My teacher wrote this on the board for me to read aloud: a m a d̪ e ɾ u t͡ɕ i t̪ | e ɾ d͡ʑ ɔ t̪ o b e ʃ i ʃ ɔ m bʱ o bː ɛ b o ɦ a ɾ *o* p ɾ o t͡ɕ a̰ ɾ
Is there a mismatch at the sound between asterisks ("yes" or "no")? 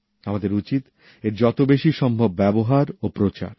no